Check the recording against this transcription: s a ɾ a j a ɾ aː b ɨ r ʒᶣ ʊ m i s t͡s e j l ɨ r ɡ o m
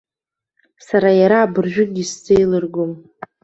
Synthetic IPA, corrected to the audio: s a ɾ a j a ɾ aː b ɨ r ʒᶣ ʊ n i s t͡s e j l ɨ r ɡ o m